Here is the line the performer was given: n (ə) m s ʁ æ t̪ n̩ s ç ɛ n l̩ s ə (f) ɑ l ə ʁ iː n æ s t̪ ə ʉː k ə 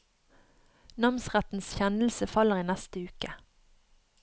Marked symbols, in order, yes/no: no, yes

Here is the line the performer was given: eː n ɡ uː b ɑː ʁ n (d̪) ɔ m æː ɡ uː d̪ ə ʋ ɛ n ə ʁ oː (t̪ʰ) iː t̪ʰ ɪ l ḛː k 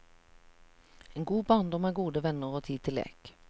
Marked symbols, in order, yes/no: yes, yes

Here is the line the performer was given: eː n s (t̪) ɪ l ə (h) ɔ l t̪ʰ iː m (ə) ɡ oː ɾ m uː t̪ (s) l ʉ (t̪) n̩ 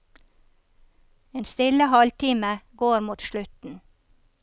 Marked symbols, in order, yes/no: yes, yes, yes, no, yes

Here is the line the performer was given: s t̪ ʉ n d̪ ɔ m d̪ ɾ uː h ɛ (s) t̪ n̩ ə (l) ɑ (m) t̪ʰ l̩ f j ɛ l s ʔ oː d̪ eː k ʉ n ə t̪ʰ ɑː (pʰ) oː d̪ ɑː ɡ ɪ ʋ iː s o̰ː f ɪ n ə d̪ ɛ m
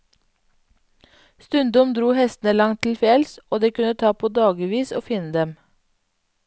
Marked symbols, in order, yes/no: yes, yes, no, yes

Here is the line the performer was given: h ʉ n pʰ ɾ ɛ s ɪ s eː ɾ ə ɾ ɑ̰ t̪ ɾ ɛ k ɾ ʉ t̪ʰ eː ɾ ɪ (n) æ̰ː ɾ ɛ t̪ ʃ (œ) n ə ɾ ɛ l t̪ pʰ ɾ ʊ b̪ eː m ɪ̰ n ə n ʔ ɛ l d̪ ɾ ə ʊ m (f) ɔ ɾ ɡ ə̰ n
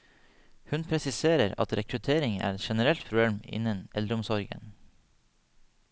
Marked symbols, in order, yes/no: no, no, no

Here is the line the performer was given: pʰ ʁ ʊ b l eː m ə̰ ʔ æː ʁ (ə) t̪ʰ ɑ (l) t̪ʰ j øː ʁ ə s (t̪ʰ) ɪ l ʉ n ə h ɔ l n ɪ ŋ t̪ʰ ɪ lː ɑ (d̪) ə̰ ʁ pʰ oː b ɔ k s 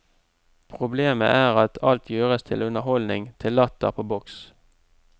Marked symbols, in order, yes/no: no, yes, yes, no

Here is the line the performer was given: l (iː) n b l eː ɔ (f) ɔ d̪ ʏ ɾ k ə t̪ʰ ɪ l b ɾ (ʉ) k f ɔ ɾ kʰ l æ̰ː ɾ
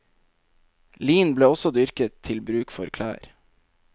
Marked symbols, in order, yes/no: yes, no, no

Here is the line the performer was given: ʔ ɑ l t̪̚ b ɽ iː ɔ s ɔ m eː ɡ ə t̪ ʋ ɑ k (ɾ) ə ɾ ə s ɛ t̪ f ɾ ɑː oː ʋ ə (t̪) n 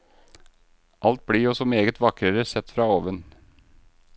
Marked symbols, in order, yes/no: yes, no

